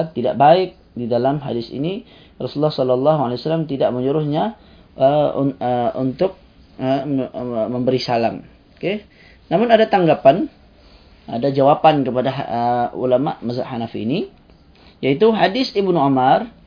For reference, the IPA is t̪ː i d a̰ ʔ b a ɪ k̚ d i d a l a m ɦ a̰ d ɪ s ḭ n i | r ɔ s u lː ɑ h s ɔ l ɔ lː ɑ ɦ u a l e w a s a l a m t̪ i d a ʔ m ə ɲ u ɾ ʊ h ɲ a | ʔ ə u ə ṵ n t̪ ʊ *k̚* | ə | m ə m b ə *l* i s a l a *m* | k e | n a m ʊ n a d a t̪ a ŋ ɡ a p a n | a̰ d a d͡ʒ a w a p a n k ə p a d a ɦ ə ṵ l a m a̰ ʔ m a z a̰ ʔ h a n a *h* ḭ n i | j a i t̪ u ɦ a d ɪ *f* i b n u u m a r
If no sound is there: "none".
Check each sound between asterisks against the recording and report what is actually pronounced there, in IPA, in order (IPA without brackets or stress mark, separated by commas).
k̚, ɾ, m, f, s